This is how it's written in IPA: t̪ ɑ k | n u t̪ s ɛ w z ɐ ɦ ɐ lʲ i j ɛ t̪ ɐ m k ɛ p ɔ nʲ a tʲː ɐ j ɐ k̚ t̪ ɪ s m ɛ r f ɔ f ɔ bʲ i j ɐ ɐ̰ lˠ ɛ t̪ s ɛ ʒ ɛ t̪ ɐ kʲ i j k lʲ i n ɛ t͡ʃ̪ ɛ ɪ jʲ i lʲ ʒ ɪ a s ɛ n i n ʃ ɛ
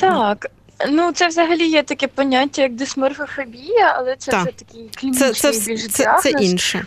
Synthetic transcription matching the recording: t̪ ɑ k | n u t̪ s ɛ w z ɐ ɦ ɐ lʲ i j ɛ t̪ ɐ k ɛ p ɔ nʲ a tʲː ɐ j ɐ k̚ d̪ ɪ s m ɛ r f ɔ f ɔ bʲ i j ɐ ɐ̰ lˠ ɛ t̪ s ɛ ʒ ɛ t̪ ɐ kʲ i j k lʲ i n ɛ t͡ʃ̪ ɛ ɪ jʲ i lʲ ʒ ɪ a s ɛ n i n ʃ ɛ